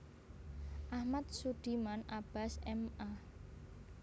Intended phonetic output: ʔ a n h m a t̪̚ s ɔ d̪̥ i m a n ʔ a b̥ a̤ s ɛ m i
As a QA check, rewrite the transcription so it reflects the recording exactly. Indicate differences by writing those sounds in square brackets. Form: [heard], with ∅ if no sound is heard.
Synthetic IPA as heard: ʔ a [∅] h m a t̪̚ s [u] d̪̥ i m a n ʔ a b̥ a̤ s ɛ m [a]